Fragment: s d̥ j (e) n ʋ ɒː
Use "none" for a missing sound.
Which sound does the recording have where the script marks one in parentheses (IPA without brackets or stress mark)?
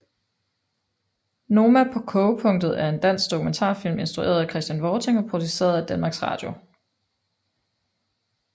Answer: æ